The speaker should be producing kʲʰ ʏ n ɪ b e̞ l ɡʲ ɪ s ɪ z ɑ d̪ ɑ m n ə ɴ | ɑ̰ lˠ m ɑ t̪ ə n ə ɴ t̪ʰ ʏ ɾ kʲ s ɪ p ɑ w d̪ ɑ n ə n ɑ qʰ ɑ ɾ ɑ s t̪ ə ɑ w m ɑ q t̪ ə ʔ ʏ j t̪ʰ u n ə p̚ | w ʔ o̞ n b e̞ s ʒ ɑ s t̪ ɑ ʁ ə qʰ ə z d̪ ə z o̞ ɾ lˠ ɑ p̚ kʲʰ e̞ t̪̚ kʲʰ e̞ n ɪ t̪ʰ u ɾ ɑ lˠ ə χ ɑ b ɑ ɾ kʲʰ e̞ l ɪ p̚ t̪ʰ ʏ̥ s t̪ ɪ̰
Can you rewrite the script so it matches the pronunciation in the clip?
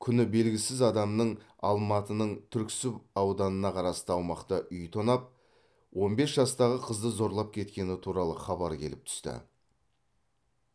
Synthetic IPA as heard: kʲʰ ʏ n ɪ b e̞ l ɡʲ ɪ s ɪ z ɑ d̪ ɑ m n ə ɴ | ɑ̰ lˠ m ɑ t̪ ə n ə ɴ t̪ʰ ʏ ɾ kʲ s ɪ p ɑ w d̪ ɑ n ə n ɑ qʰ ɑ ɾ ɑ s t̪ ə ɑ w m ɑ q t̪ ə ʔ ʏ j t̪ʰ o n ɑ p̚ | w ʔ o̞ n b e̞ s ʒ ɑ s t̪ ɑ ʁ ə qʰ ə z d̪ ə z o̞ ɾ lˠ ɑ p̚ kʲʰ e̞ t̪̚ kʲ e̞ n ɪ t̪ʰ u ɾ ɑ lˠ ə χ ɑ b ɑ ɾ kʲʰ e̞ l ɪ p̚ t̪ʰ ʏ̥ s t̪ ɪ̰